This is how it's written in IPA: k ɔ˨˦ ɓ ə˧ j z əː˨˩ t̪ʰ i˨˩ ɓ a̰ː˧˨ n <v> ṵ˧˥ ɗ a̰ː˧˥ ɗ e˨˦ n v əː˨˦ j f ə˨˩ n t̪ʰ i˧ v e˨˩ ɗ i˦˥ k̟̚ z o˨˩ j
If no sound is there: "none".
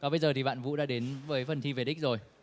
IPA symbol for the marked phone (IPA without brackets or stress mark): v